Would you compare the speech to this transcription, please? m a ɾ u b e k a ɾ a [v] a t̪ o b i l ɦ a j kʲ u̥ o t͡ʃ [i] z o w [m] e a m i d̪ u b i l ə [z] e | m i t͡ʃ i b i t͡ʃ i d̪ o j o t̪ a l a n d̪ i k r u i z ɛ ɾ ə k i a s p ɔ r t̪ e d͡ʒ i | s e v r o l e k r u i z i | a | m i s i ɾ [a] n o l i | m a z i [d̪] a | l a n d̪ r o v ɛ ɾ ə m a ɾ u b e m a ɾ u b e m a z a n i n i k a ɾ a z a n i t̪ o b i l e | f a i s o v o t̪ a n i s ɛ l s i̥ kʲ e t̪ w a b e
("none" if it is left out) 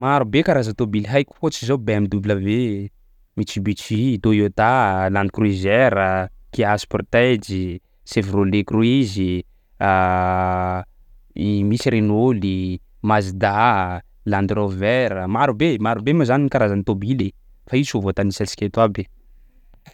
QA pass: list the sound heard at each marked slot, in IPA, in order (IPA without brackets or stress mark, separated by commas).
z, i, b, v, e, d̪